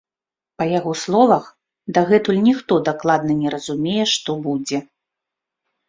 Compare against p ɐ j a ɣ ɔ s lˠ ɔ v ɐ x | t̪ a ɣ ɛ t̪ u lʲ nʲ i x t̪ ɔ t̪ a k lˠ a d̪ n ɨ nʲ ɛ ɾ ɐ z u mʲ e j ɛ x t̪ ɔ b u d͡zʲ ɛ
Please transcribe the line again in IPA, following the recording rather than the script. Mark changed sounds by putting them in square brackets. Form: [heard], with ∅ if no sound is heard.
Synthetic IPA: p ɐ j a ɣ ɔ s lˠ ɔ v ɐ x | [d̪] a ɣ ɛ t̪ u lʲ nʲ i x t̪ ɔ [d̪] a k lˠ a d̪ n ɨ nʲ ɛ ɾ ɐ z u mʲ e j ɛ [ʂ] t̪ ɔ b u d͡zʲ ɛ